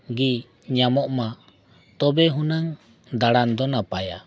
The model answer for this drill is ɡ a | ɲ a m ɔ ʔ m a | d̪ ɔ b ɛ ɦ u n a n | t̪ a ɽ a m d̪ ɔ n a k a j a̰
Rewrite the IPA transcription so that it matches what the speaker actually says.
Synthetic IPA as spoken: ɡ i | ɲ a m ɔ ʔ m a | t̪ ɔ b ɛ ɦ u n a ŋ | d̪ a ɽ a n d̪ ɔ n a p a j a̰